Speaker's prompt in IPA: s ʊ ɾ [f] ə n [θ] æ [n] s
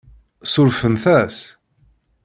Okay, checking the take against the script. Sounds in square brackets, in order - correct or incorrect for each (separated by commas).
correct, correct, incorrect